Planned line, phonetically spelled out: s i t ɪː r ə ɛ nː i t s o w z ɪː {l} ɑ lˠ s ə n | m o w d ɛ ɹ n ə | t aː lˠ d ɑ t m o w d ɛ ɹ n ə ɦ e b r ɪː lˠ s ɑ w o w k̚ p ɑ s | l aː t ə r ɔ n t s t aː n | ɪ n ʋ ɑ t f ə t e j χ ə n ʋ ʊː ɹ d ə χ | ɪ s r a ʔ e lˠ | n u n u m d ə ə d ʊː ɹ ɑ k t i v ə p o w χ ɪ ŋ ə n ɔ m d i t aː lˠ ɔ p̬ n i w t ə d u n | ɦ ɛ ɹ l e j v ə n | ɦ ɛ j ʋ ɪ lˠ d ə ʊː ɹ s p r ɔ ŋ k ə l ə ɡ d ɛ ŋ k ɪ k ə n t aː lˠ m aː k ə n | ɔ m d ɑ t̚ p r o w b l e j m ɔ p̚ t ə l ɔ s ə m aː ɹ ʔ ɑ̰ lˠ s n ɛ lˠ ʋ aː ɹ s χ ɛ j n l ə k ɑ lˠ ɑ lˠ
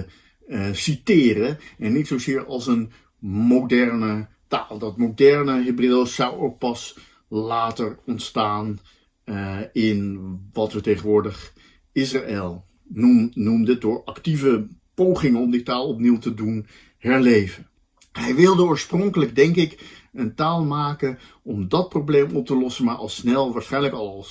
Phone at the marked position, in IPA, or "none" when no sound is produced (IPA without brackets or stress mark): ɹ